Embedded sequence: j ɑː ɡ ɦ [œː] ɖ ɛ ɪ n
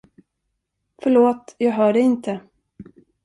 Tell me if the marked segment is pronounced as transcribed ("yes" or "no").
yes